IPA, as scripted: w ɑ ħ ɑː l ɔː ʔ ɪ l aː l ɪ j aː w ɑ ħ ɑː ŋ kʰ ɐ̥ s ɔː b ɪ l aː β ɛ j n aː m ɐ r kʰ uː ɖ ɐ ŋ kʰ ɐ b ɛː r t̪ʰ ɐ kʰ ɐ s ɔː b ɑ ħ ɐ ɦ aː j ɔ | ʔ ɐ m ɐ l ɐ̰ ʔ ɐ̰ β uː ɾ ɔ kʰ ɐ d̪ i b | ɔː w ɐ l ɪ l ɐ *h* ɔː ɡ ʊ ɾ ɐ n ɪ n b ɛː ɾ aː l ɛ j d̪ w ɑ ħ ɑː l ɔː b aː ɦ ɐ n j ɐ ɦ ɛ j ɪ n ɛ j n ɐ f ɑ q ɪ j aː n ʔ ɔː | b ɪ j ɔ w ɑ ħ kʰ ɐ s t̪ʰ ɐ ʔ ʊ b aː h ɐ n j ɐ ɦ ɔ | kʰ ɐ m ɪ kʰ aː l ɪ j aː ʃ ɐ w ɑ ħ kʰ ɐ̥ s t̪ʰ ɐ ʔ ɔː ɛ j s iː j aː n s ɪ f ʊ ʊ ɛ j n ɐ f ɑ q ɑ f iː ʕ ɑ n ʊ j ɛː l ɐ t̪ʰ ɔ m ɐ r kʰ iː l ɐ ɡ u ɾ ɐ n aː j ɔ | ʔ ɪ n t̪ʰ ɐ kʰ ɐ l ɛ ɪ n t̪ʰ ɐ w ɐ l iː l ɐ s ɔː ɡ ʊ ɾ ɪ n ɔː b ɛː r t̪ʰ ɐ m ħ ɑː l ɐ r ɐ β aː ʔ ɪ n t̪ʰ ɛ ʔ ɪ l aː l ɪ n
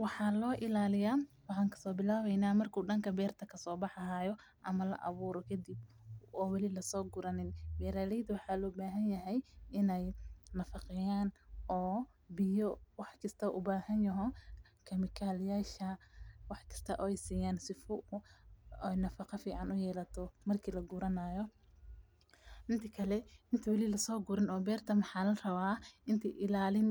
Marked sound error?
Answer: yes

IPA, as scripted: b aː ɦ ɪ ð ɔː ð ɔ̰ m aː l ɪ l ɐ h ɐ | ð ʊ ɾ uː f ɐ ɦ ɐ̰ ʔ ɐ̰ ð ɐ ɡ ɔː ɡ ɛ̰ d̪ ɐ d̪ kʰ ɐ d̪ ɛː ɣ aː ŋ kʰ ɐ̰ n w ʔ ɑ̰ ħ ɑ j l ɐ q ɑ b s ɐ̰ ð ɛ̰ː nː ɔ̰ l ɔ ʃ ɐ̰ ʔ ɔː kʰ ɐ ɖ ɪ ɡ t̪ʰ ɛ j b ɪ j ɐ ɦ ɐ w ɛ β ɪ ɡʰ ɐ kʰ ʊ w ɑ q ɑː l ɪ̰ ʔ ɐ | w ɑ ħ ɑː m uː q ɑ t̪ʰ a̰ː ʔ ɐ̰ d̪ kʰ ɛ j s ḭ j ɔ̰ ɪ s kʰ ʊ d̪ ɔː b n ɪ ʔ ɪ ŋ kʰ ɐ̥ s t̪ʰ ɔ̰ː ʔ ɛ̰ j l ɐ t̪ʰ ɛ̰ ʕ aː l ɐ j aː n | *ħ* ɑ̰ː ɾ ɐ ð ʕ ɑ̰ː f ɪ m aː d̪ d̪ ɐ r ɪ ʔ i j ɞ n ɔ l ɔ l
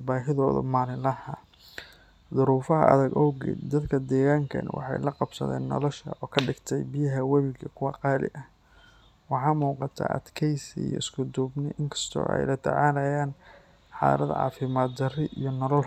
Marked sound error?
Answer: no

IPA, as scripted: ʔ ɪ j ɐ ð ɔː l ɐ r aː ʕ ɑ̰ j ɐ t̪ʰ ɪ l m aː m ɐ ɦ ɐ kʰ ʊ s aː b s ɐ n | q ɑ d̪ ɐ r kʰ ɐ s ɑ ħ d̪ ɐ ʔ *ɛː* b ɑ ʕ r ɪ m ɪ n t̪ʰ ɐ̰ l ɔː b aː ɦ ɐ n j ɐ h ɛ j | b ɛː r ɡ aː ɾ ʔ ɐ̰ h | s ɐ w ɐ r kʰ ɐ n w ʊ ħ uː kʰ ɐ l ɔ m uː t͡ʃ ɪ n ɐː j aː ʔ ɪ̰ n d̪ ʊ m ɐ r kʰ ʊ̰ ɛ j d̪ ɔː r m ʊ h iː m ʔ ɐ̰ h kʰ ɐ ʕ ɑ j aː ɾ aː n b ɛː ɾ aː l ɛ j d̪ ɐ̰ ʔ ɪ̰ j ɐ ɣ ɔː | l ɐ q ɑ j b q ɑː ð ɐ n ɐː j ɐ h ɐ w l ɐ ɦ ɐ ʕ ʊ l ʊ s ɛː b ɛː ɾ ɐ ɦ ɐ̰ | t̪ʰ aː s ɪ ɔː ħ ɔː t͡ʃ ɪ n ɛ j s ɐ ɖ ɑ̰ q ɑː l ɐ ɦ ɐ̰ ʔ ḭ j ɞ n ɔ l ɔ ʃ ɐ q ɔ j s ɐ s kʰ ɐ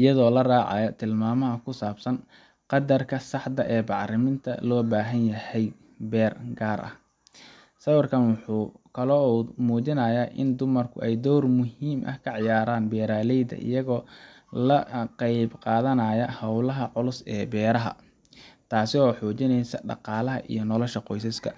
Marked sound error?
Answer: no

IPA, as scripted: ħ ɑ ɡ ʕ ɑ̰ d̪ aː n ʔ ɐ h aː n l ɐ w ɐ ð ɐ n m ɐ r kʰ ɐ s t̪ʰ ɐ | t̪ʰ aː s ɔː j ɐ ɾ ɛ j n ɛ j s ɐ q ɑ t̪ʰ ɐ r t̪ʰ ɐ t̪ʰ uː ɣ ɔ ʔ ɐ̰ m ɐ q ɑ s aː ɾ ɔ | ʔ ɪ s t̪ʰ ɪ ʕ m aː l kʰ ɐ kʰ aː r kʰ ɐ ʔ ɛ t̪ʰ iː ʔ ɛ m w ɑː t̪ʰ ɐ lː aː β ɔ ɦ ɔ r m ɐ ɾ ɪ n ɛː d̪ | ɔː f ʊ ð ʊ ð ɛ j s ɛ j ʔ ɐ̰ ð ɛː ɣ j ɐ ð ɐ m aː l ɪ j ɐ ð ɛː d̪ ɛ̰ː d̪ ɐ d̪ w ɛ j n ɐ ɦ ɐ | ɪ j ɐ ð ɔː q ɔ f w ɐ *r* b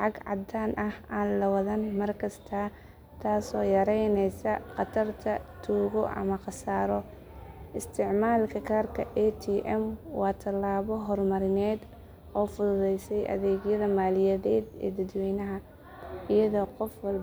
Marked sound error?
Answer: yes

